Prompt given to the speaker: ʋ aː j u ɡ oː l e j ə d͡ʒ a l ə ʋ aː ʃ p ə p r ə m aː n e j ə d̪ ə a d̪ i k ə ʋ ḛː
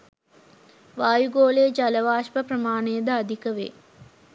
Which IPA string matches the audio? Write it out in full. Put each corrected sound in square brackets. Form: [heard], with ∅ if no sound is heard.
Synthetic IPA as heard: ʋ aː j u ɡ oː l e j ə d͡ʒ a l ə ʋ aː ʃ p ə p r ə m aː n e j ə d̪ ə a d̪ i k ə ʋ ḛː